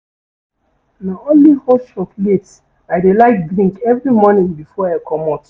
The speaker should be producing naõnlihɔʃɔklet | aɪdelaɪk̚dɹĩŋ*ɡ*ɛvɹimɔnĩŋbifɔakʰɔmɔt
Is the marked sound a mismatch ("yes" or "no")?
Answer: yes